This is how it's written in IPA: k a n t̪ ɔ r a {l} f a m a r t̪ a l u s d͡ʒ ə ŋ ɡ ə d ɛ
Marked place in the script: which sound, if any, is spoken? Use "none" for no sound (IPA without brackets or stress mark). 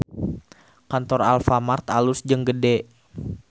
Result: l